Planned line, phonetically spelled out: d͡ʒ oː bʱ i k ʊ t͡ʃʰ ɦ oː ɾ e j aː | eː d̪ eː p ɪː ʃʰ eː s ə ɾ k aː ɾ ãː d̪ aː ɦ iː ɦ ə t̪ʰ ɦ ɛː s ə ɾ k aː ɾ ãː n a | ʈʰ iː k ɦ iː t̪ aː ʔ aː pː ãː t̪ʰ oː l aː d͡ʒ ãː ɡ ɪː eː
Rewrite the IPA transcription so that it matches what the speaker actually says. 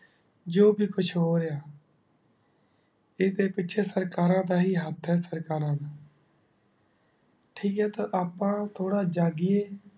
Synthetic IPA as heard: d͡ʒ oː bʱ iː k ʊ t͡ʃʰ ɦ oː ɾ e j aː | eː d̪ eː p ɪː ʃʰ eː s ə ɾ k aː ɾ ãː d̪ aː ɦ iː ɦ ə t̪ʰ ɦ ɛː s ə ɾ k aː ɾ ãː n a | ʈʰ iː k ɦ ɛː t̪ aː ʔ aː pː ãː t̪ʰ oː ɽ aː d͡ʒ aː ɡ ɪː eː